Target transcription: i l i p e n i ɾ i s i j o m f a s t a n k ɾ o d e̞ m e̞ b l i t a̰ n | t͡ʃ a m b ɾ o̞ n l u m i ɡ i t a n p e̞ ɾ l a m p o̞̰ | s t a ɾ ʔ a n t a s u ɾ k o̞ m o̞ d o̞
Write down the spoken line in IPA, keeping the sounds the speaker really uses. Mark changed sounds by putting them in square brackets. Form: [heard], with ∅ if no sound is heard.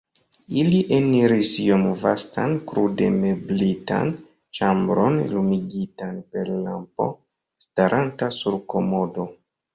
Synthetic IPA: i l i [ʔ] e n i ɾ i s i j o m [v] a s t a n k ɾ [u] d e̞ m e̞ b l i t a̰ n | t͡ʃ a m b ɾ o̞ n l u m i ɡ i t a n p e̞ ɾ l a m p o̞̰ | s t a ɾ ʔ a n t a s u ɾ k o̞ m o̞ d o̞